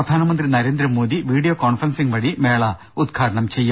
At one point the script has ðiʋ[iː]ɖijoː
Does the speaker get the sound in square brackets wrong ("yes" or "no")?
no